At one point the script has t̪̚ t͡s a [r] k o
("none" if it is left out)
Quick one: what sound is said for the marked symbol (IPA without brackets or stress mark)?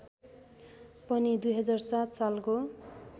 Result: l